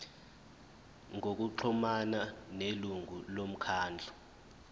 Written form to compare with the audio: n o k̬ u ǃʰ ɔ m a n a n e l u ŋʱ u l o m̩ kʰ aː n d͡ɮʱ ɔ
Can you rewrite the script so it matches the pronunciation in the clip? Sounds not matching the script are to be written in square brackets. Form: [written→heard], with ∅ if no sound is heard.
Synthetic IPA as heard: [n→ŋ] o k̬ u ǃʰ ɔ m a n a n e l u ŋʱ u l o m̩ kʰ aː n d͡ɮʱ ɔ

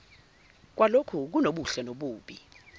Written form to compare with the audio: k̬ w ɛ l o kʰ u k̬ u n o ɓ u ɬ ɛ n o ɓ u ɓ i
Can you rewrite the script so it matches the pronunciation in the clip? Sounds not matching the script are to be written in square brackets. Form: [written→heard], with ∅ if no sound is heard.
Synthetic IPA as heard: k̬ w [ɛ→a] l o kʰ u k̬ u n o ɓ u ɬ ɛ n o ɓ [u→uː] ɓ i

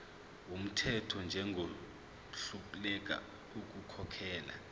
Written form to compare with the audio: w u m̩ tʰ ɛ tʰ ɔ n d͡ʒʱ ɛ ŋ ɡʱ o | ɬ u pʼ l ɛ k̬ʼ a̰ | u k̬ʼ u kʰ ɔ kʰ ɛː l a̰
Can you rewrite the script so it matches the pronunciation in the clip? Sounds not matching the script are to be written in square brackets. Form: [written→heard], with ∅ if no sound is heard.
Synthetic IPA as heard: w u m̩ tʰ ɛ tʰ ɔ n d͡ʒʱ ɛ ŋ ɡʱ o | ɬ u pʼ l ɛ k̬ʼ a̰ | u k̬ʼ u kʰ ɔ kʰ ɛː l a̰

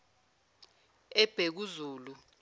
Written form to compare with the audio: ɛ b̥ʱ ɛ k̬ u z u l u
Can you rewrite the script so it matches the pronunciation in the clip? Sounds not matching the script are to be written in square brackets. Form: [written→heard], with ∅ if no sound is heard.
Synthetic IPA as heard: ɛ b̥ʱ [ɛ→e] k̬ u z [u→uː] l u

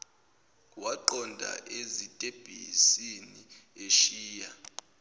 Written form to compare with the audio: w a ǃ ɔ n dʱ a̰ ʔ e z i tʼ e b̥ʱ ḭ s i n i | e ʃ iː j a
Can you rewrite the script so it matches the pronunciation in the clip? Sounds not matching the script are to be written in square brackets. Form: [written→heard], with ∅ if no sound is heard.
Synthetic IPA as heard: w a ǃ ɔ n dʱ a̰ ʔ e z i tʼ e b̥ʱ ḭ s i n i | e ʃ iː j a

